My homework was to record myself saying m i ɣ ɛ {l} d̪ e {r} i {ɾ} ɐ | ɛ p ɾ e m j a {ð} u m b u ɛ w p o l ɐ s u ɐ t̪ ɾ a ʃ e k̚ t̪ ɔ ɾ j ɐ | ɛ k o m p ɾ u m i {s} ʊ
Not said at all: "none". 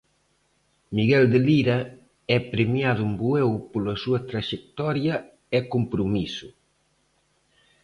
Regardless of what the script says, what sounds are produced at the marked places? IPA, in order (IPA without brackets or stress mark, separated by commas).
l, l, ɾ, ð, s